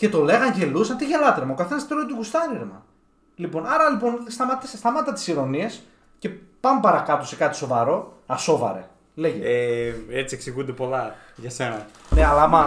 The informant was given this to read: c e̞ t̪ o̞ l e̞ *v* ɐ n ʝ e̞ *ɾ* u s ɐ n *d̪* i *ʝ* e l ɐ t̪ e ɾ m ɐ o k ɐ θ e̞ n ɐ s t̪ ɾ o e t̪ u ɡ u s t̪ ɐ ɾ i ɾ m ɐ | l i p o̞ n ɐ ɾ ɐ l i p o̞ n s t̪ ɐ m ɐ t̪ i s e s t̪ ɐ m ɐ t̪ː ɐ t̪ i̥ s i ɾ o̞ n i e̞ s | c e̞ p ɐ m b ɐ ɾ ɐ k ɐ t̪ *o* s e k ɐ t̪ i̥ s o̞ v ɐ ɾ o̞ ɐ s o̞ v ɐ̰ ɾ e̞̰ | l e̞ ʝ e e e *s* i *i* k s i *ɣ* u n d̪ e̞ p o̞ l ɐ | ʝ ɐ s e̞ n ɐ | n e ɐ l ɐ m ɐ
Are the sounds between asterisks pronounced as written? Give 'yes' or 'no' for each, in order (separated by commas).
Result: no, no, no, yes, yes, no, no, yes